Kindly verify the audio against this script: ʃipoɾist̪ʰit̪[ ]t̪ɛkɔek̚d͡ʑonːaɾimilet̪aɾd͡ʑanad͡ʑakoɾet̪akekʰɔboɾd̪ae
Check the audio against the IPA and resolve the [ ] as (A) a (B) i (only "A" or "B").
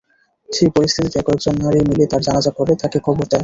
B